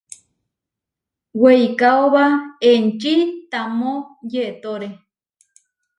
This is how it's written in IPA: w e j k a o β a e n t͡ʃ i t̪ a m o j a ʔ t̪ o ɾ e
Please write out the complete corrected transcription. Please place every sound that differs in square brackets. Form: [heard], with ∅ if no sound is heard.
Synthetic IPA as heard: w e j k a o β a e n t͡ʃ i t̪ a m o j [e] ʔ t̪ o ɾ e